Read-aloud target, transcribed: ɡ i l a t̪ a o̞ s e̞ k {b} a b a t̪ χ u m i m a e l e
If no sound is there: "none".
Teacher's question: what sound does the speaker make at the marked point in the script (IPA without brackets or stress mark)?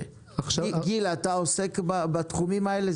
b